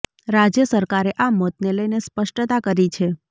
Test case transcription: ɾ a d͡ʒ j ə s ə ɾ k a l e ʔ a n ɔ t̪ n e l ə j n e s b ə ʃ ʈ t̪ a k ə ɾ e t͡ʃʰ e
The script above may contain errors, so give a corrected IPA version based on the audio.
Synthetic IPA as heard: ɾ a d͡ʒ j ə s ə ɾ k a ɾ e ʔ a m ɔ t̪ n e l ə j n e s p ə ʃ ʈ t̪ a k ə ɾ i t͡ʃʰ e